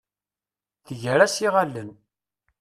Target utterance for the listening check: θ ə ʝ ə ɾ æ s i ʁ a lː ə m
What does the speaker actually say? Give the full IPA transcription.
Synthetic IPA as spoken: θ ə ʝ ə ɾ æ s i ʁ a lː ə n